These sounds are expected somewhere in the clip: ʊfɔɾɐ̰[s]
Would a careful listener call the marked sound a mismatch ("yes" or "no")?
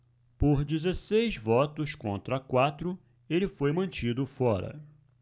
yes